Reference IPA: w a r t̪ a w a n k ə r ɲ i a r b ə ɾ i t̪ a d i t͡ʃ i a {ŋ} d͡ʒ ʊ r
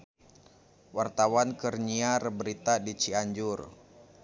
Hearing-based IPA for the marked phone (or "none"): ɲ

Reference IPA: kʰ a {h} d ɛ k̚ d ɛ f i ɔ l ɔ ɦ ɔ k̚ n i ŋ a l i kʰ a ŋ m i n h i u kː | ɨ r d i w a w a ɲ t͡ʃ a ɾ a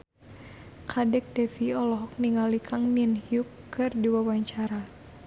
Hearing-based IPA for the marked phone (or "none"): none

